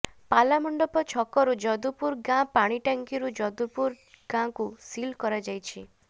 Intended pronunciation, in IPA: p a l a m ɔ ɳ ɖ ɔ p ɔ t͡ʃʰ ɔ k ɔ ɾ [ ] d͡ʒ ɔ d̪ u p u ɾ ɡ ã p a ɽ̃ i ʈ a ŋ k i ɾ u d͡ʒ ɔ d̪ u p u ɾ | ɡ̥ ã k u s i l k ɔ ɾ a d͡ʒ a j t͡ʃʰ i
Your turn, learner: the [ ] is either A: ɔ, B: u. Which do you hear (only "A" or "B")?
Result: B